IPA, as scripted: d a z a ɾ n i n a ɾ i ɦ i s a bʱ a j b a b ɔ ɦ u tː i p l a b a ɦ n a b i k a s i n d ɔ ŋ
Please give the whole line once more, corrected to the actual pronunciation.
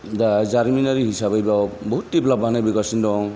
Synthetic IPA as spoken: d a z a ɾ m i n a ɾ i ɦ i s a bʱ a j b a b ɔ ɦ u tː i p l a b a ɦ n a b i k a s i n d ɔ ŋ